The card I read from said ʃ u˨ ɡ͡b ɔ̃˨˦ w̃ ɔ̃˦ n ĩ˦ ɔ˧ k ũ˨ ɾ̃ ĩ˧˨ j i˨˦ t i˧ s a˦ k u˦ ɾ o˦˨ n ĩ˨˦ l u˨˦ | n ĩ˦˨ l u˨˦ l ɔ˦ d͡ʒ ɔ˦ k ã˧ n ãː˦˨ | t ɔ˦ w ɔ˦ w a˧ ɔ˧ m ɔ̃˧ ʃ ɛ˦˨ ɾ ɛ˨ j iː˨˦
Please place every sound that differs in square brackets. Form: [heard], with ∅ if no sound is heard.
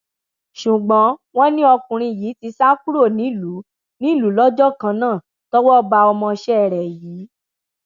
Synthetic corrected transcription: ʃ u˨ ɡ͡b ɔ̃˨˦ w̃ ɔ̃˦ n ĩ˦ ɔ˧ k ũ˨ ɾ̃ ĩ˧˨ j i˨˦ t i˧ s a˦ k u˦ ɾ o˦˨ n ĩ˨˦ l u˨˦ | n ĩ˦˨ l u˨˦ l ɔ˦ d͡ʒ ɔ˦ k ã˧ n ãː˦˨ | t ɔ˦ w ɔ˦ [b] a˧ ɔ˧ m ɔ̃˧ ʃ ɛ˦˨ ɾ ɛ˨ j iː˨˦